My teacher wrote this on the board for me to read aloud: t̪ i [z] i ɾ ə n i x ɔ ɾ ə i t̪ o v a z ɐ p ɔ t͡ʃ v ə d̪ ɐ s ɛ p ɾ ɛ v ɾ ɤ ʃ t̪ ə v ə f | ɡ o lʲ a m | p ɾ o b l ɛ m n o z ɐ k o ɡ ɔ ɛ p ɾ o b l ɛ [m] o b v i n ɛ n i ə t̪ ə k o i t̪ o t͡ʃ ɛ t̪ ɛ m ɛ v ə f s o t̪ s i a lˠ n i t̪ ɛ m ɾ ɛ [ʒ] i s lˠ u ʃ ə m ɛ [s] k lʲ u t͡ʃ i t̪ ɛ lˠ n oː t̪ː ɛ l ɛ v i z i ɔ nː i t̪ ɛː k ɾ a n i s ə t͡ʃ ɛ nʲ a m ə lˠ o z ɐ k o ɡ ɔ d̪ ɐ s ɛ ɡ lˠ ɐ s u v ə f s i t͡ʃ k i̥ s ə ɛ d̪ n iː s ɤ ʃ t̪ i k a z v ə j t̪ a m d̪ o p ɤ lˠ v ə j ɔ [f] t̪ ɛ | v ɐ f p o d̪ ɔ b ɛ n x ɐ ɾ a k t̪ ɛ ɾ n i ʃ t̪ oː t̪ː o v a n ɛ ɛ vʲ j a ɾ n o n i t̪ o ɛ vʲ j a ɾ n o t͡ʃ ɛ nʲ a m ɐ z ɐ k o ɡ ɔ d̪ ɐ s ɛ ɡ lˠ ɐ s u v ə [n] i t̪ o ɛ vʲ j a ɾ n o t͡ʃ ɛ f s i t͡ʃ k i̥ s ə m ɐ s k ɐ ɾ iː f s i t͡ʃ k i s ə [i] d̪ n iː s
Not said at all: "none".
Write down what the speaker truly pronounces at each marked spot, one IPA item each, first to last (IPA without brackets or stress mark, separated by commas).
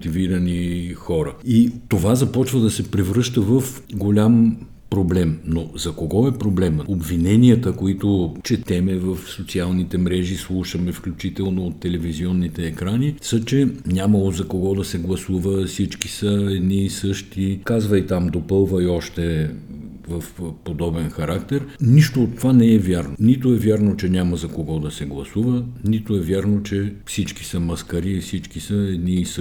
v, m, ʒ, f, ʃ, n, ɛ